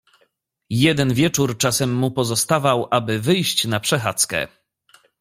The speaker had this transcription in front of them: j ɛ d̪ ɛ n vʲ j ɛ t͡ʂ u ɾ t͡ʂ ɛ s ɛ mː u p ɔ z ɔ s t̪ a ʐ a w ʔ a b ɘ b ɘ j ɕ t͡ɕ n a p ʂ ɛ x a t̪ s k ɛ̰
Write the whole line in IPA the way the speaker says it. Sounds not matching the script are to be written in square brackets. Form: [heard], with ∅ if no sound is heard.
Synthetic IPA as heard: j ɛ d̪ ɛ n vʲ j ɛ t͡ʂ u ɾ t͡ʂ [a] s ɛ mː u p ɔ z ɔ s t̪ a [v] a w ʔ a b ɘ [v] ɘ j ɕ t͡ɕ n a p ʂ ɛ x a t̪ s k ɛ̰